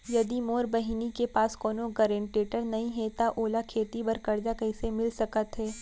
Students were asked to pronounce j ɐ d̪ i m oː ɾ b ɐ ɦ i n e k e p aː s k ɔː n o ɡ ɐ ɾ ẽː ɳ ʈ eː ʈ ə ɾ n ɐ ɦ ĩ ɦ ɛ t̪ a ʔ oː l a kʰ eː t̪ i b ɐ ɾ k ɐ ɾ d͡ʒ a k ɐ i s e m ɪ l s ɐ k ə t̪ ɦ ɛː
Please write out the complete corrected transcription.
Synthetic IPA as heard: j ɐ d̪ i m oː ɾ b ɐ ɦ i n i k e p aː s k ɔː n o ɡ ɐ ɾ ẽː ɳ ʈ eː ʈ ə ɾ n ɐ ɦ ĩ ɦ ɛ t̪ a ʔ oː l a kʰ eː t̪ i b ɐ ɾ k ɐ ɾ d͡ʒ a k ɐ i s e m ɪ l s ɐ k ə t̪ ɦ ɛː

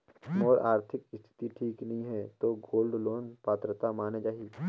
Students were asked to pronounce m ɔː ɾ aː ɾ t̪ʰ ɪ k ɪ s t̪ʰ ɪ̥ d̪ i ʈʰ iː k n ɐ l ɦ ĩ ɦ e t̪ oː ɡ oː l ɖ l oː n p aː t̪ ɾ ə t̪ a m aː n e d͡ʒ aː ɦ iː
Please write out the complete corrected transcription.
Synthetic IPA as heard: m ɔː ɾ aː ɾ t̪ʰ ɪ k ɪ s t̪ʰ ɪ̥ t̪ i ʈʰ iː k n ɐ ɦ ĩ ɦ ɛ t̪ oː ɡ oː l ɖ l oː n p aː t̪ ɾ ə t̪ a m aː n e d͡ʒ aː ɦ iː

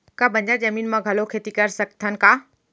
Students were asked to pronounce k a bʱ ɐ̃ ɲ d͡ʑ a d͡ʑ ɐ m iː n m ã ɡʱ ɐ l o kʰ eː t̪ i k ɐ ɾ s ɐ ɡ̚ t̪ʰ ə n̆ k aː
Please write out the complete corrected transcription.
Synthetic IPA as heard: k a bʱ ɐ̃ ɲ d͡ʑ a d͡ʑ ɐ m iː n m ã ɡʱ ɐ l o kʰ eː t̪ i k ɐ ɾ s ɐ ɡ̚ t̪ʰ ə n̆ k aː

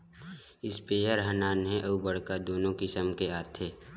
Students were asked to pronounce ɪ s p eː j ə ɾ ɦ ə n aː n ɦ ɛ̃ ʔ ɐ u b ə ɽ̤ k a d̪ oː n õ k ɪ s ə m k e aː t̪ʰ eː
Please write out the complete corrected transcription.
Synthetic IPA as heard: ɪ s p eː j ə ɾ ɦ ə n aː n ɦ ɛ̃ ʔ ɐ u b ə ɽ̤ k a d̪ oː n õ k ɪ s ə m k e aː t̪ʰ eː

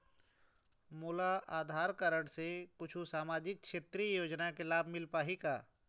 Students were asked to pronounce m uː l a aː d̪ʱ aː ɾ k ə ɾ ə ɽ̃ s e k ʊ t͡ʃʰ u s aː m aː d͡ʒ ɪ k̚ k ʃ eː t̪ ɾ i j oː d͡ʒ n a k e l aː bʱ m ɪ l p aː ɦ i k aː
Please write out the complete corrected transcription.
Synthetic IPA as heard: m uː l a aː d̪ʱ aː ɾ k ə ɾ ə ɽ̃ s e k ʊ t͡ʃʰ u s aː m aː d͡ʒ ɪ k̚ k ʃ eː t̪ ɾ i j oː d͡ʒ n a k e l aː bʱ m ɪ l p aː ɦ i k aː

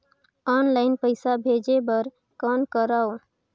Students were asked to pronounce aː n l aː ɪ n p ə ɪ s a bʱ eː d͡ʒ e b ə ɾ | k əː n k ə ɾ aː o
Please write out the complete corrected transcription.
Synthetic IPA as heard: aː n l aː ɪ n p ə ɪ s a bʱ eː d͡ʒ e b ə ɾ | k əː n k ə ɾ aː o

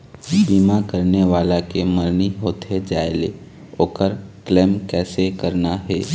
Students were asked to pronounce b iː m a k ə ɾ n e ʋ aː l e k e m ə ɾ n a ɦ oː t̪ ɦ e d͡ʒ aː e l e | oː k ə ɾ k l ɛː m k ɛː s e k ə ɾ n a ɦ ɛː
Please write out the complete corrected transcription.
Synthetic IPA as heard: b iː m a k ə ɾ n e ʋ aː l a k e m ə ɾ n i ɦ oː t̪ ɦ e d͡ʒ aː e l e | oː k ə ɾ k l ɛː m k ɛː s e k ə ɾ n a ɦ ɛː

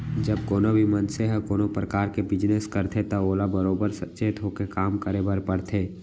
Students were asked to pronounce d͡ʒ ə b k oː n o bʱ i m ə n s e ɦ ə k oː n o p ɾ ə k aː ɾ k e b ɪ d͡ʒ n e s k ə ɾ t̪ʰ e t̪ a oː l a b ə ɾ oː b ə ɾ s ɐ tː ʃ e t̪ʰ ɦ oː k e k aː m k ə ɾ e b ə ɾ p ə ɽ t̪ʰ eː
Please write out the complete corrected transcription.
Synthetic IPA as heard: d͡ʒ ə b k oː n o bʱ i m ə n s e ɦ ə k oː n o p ɾ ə k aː ɾ k e b ɪ d͡ʒ n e s k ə ɾ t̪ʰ e t̪ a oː l a b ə ɾ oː b ə ɾ s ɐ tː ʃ e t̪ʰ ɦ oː k e k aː m k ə ɾ e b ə ɾ p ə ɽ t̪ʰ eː

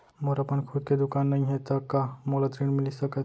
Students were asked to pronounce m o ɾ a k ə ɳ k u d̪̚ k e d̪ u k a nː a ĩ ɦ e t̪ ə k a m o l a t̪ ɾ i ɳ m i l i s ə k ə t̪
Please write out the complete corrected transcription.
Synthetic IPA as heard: m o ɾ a p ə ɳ kʰ u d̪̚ k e d̪ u k a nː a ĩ ɦ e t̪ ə k a m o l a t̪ ɾ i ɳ m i l i s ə k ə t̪

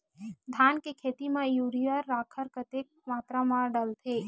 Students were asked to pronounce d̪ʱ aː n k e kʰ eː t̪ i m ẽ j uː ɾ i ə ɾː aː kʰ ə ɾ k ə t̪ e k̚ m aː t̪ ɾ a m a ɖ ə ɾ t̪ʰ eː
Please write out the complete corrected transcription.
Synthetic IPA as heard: d̪ʱ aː n k e kʰ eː t̪ i m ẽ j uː ɾ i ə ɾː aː kʰ ə ɾ k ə t̪ e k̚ m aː t̪ ɾ a m a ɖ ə l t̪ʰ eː

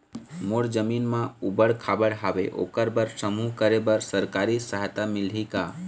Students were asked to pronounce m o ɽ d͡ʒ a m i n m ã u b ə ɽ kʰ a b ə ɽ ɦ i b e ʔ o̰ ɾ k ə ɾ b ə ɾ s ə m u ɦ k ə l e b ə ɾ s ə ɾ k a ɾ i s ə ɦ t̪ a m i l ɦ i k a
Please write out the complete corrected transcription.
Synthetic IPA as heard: m o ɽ d͡ʒ ə m i n m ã u b ə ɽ kʰ a b ə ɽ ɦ a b e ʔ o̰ k ə ɾ b ə ɾ s ə m u ɦ k ə ɾ e b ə ɾ s ə ɾ k a ɾ i s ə ɦ t̪ a m i l ɦ i k a

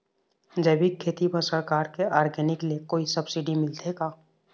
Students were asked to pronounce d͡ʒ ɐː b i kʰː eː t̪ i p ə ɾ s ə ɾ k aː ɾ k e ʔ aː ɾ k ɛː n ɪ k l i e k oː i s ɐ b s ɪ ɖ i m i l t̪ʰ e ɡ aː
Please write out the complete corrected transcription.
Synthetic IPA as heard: d͡ʒ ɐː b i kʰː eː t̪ i p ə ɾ s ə ɾ k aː ɾ k e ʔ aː ɾ ɡ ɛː n ɪ k l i e k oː i s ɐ b s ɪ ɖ i m ɪ l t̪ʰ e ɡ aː

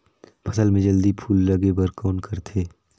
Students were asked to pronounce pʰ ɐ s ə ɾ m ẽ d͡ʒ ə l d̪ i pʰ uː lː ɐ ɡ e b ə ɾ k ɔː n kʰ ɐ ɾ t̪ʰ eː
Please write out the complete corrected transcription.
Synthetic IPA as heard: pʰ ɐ s ə l m ẽ d͡ʒ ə l d̪ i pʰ uː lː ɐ ɡ e b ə ɾ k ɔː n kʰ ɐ ɾ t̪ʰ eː

